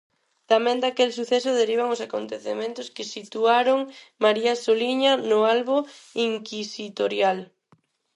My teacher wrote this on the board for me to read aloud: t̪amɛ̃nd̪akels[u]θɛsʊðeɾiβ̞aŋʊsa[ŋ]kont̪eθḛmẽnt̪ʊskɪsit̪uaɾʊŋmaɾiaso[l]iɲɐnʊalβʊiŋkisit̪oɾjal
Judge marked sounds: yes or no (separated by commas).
yes, no, yes